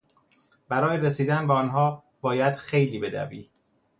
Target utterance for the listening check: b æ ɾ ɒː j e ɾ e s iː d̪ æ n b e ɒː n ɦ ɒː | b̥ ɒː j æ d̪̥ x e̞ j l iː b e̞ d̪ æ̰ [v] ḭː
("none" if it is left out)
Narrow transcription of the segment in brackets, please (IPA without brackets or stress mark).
v